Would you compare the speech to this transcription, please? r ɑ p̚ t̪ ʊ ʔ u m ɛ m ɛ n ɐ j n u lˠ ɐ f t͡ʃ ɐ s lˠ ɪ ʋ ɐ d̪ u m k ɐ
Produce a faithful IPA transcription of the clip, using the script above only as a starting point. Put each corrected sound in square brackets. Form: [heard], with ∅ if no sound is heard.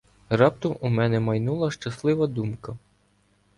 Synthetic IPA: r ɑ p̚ t̪ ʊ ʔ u m ɛ [n] ɛ [m] ɐ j n u lˠ ɐ [ʃ] t͡ʃ ɐ s lˠ ɪ ʋ ɐ d̪ u m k ɐ